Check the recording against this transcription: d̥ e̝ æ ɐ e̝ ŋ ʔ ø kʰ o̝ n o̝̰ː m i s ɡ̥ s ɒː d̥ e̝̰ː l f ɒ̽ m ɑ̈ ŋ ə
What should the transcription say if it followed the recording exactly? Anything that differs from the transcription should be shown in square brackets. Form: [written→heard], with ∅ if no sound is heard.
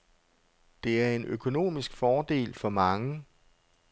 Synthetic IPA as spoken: d̥ e̝ æ ɐ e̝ [ŋ→n] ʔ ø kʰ o̝ n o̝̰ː m i s ɡ̥ [s→f] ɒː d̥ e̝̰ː l f ɒ̽ m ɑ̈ ŋ ə